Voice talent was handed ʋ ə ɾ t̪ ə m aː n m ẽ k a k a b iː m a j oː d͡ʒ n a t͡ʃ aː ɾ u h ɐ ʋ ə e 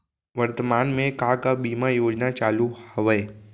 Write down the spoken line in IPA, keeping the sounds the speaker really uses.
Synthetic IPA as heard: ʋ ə ɾ t̪ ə m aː n m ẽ k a k a b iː m a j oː d͡ʒ n a t͡ʃ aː l u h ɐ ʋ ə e